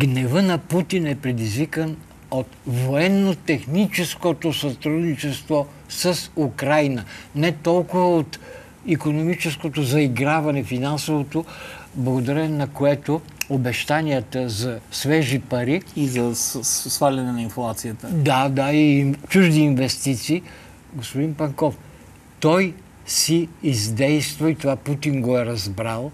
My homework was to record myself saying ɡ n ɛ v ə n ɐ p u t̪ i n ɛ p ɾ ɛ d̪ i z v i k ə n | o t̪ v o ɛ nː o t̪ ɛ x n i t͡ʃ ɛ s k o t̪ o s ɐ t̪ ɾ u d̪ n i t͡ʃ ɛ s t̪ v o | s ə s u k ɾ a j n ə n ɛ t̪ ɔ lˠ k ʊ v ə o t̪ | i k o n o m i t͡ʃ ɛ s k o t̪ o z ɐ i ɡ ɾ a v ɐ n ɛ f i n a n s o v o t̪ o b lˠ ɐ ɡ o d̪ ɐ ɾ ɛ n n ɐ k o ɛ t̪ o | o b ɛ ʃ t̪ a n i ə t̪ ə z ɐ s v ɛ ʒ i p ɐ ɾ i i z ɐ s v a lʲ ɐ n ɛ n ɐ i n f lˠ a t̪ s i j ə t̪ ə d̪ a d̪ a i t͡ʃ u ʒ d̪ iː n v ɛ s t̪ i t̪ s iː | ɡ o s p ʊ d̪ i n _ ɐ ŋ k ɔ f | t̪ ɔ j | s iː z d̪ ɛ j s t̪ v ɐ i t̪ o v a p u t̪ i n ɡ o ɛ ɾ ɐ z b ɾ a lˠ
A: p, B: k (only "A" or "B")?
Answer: A